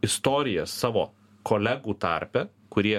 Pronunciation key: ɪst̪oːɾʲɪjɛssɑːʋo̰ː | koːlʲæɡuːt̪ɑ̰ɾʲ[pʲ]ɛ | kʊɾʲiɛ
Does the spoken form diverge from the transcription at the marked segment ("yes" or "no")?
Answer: no